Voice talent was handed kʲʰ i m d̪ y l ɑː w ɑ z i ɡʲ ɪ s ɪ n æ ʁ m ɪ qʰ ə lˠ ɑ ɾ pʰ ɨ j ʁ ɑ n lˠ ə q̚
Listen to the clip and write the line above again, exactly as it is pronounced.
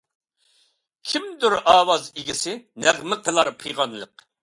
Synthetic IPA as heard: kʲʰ i m d̪ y ɾ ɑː w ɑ z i ɡʲ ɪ s ɪ n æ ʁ m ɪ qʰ ə lˠ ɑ ɾ pʰ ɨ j ʁ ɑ n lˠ ə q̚